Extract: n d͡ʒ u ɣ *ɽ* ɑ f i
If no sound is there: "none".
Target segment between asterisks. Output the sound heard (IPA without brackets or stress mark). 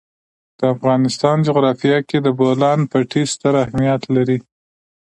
ɾ